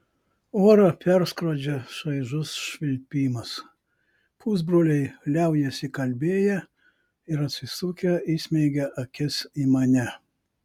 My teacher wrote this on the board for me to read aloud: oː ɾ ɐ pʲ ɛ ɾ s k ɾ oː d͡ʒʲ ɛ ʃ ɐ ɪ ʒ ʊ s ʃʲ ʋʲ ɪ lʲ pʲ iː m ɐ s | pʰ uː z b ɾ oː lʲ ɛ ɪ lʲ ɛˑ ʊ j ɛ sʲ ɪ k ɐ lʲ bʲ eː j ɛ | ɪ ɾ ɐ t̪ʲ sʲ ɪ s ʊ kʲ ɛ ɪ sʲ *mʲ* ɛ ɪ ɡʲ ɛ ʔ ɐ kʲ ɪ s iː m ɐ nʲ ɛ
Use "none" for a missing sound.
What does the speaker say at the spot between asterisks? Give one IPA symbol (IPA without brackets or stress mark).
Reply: mʲ